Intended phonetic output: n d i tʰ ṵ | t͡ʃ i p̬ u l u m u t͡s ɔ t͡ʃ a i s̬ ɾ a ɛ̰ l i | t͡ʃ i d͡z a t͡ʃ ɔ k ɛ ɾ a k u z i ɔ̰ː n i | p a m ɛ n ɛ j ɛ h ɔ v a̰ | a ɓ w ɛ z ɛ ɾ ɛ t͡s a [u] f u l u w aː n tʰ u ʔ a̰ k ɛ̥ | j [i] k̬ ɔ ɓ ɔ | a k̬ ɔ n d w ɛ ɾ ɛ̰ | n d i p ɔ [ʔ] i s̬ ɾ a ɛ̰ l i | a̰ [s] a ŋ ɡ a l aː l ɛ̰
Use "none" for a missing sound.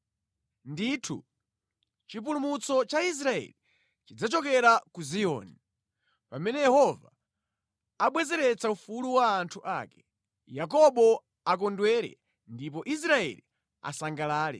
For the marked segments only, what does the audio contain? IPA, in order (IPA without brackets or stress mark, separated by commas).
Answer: u, a, ʔ, s